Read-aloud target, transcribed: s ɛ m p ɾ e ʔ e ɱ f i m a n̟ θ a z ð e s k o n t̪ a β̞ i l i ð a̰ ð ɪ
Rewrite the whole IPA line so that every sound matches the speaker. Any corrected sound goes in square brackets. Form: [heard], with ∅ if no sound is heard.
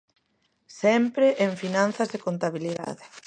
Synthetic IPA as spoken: s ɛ m p ɾ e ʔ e ɱ f i [n] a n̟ θ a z ð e [∅] k o n t̪ a β̞ i l i ð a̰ ð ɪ